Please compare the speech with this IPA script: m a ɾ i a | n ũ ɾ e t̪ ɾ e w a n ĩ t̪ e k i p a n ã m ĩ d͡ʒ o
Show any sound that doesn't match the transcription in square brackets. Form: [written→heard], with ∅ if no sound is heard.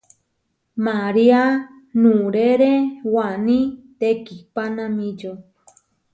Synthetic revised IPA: m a ɾ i a | n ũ ɾ e [t̪→∅] ɾ e w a n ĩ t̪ e k i p a n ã m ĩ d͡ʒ o